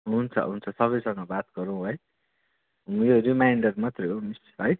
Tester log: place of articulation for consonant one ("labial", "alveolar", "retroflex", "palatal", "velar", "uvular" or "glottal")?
glottal